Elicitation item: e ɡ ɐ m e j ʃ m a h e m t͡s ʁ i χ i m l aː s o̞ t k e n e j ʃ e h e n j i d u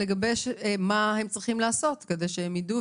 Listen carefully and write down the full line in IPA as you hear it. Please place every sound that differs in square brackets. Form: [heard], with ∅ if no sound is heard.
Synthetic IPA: e ɡ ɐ [b] e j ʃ m a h e m t͡s ʁ i χ i m l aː s o̞ t k e [d] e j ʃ e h e [m] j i d u